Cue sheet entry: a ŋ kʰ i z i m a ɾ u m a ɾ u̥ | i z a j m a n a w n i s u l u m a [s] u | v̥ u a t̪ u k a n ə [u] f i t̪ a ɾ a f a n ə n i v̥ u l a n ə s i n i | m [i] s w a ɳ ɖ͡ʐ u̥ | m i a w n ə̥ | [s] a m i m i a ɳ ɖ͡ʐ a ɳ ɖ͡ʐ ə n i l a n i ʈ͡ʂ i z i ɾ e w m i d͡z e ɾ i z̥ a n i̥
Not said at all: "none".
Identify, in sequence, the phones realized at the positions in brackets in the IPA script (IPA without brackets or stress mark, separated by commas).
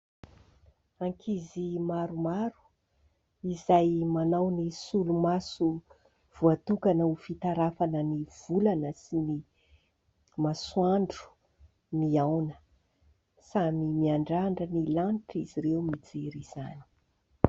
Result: s, u, a, s